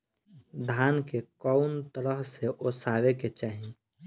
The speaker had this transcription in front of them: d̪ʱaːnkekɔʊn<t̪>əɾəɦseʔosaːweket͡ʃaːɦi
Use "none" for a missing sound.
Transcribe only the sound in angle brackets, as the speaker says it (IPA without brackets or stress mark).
t̪